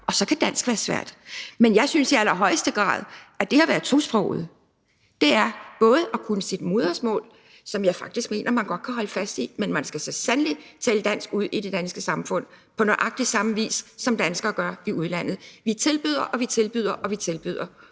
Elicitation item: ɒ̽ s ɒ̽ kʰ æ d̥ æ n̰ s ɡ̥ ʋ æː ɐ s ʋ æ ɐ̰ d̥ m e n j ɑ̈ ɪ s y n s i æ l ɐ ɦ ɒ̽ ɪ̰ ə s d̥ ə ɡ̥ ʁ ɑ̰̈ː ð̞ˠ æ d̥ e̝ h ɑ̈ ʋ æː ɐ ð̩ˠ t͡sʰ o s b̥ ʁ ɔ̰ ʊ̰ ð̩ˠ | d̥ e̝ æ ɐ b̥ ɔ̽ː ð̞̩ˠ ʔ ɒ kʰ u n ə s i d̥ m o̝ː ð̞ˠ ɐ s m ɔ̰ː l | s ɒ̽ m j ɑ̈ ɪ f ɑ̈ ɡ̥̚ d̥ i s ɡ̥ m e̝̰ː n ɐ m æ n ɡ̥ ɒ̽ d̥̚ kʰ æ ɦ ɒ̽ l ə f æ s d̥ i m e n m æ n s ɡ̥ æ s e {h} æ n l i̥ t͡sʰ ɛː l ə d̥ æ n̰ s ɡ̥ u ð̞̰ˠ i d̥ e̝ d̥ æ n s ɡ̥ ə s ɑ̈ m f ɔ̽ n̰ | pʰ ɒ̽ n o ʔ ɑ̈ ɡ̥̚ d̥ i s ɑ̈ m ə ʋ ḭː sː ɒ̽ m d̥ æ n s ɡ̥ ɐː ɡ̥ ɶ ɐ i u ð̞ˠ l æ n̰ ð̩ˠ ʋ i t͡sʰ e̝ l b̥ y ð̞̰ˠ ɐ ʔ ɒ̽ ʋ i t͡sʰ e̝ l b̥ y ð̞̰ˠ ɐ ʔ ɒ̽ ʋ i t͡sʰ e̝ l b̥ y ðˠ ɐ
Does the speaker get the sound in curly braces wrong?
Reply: yes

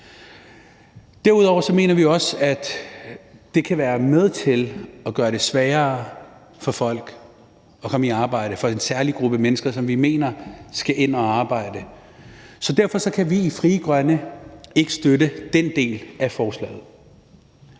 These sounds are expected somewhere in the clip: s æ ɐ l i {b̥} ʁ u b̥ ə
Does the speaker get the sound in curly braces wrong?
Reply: yes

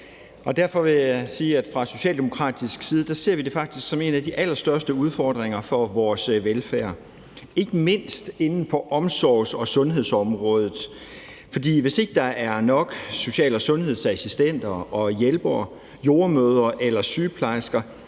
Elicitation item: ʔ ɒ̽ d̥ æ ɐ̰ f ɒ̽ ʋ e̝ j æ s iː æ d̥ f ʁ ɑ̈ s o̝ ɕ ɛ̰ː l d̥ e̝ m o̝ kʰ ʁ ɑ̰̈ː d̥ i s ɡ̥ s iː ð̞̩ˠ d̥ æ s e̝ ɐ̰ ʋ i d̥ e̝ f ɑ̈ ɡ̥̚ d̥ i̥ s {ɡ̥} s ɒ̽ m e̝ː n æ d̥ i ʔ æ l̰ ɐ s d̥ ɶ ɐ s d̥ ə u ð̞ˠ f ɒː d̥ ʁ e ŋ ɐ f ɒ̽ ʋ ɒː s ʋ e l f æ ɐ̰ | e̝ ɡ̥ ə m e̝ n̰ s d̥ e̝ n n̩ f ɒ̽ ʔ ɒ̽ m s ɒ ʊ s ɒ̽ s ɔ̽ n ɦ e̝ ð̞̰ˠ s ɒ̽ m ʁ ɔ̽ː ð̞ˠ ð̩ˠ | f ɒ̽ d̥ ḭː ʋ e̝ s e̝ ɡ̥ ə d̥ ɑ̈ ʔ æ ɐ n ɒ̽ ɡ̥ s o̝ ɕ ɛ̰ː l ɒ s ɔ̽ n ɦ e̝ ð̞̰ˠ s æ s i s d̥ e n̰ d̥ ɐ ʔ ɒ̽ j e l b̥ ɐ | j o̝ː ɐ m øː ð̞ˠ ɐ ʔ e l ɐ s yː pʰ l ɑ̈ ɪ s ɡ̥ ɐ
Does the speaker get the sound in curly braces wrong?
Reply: no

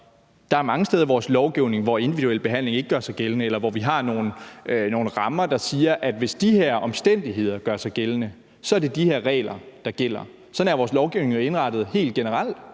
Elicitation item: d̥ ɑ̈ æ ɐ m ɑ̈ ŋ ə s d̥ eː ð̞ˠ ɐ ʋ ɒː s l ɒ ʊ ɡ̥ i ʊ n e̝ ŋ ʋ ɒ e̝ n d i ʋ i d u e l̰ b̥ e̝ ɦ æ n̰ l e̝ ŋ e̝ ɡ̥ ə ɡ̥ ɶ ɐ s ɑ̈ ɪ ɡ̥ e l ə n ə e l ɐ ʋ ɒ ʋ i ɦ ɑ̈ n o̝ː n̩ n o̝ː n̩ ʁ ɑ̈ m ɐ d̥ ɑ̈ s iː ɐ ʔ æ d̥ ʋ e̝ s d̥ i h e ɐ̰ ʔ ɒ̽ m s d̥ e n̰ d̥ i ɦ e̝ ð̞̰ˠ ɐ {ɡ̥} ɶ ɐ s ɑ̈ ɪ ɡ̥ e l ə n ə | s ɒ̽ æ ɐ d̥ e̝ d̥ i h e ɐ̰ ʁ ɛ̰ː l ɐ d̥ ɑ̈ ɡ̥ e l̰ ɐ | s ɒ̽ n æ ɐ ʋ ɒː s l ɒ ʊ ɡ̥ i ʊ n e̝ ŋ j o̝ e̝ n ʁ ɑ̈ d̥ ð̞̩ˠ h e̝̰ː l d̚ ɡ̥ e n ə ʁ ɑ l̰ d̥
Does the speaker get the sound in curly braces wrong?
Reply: no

